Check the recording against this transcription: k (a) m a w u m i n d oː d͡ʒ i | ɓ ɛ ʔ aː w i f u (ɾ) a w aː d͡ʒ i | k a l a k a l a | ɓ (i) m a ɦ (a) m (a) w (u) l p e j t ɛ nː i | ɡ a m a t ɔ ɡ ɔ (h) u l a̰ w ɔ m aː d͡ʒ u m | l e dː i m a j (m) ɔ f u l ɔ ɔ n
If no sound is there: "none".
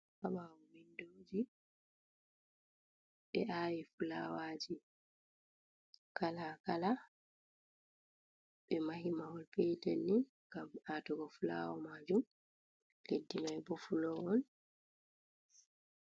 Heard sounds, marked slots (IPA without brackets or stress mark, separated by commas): a, l, ɛ, i, a, ɔ, f, b